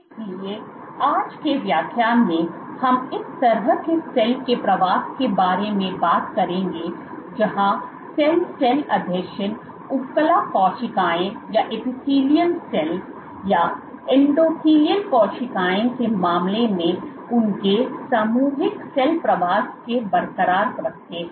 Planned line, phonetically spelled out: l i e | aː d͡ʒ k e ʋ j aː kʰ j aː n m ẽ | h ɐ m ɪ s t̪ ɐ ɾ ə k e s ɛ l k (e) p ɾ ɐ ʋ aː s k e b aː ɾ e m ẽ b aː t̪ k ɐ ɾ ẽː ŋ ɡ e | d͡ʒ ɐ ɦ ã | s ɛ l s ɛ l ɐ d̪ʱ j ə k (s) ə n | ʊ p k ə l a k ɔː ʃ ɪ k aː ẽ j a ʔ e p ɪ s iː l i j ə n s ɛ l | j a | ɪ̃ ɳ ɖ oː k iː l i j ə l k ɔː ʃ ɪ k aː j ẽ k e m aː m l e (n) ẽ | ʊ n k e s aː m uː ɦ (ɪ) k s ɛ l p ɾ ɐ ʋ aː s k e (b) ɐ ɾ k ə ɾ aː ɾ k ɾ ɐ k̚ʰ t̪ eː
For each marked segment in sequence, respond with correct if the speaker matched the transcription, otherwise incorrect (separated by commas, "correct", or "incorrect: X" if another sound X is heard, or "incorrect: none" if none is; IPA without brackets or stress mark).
correct, incorrect: ʃ, incorrect: m, correct, correct